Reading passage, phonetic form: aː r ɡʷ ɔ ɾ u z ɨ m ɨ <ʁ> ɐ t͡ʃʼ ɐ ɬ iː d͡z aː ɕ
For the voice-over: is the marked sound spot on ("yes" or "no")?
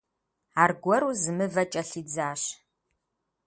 no